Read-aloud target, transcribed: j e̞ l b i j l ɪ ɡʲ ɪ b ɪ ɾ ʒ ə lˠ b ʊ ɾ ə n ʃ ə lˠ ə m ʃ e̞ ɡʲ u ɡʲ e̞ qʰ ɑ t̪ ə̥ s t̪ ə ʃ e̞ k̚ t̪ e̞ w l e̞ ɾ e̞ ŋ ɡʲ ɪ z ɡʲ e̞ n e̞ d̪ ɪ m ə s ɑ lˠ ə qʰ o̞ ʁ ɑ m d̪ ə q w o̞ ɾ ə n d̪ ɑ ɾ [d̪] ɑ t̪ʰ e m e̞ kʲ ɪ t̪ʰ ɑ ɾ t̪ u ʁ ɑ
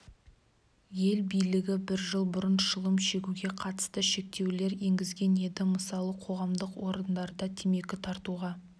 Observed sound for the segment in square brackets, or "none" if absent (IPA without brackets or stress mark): d̪